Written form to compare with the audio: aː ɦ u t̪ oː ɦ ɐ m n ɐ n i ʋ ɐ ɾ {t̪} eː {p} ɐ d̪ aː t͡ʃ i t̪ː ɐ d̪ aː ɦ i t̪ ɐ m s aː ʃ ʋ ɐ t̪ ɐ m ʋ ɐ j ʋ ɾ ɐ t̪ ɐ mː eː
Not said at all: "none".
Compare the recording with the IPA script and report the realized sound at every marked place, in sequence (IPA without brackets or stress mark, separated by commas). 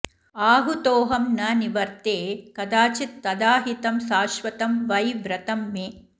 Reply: t̪, k